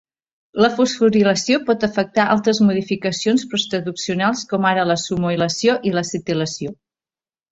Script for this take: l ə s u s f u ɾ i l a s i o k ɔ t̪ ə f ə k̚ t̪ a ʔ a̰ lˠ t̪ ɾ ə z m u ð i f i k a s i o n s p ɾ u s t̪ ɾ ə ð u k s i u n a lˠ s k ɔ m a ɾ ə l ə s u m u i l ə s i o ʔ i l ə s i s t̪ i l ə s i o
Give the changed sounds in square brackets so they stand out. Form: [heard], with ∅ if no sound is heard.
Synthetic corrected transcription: l ə [f] u s f u ɾ i l [ə] s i o [p] ɔ t̪ ə f ə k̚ t̪ a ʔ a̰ lˠ t̪ ɾ ə z m u ð i f i k [ə] s i o n s p ɾ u s t̪ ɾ ə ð u k s i u n a lˠ s k ɔ m a ɾ ə l ə s u m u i l ə s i o ʔ i l ə s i [∅] t̪ i l ə s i o